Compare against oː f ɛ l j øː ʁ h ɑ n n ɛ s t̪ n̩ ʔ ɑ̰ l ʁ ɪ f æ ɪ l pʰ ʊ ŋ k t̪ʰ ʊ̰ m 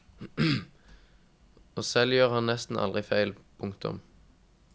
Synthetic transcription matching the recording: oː s ɛ l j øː ʁ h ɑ n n ɛ s t̪ n̩ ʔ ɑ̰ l ʁ ɪ f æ ɪ l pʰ ʊ ŋ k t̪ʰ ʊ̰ m